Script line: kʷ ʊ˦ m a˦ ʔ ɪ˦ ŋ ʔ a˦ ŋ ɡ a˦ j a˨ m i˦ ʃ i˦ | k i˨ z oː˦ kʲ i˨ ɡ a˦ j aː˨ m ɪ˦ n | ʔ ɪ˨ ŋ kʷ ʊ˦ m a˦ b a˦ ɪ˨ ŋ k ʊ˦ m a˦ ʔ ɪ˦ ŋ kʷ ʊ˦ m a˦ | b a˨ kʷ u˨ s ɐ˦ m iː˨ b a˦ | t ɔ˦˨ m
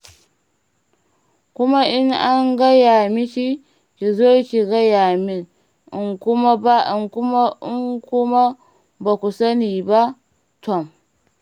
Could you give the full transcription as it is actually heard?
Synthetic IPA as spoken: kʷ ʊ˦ m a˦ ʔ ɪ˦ ŋ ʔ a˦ ŋ ɡ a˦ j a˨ m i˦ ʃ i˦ | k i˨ z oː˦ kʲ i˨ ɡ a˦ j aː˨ m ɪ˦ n | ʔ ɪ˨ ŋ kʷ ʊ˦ m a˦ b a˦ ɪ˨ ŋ k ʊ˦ m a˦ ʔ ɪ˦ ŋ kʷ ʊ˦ m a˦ | b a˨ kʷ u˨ s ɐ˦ n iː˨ b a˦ | t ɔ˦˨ m

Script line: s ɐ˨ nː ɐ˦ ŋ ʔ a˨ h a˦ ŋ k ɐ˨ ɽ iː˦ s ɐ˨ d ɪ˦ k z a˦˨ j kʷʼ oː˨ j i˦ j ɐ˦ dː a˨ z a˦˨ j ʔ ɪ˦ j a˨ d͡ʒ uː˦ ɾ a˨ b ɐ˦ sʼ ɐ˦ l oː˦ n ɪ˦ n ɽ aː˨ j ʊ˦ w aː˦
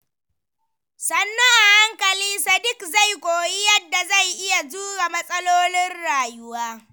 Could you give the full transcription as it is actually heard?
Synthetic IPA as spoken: s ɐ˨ nː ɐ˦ ŋ ʔ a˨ h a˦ ŋ k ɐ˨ l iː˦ s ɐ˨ d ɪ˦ k z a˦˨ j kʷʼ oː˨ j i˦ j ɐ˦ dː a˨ z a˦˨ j ʔ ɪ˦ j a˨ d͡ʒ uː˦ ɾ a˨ m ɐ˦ sʼ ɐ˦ l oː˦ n ɪ˦ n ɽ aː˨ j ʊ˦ w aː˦

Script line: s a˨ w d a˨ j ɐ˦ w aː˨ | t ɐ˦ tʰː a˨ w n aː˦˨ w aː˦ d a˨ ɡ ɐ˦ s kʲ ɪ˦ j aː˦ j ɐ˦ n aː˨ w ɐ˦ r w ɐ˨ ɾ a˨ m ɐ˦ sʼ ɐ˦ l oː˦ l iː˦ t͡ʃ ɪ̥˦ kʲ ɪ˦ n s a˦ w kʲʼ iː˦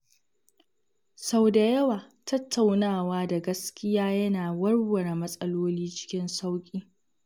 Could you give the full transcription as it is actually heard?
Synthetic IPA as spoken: s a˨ w d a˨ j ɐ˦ w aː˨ | t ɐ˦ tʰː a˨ w n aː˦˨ w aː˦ d a˨ ɡ ɐ˦ s kʲ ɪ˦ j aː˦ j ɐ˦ n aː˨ w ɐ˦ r w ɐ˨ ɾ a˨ m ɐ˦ sʼ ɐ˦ l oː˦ l iː˦ t͡ʃ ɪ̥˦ kʲ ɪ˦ n s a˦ w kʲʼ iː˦

